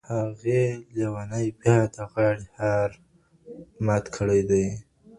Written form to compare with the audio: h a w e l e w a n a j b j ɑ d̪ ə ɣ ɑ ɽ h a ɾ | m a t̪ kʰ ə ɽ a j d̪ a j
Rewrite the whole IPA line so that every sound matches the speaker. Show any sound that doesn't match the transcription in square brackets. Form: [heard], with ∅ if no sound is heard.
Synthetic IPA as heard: h a [ɣ] e l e w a n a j b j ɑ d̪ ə ɣ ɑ ɽ h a ɾ | m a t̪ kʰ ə ɽ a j d̪ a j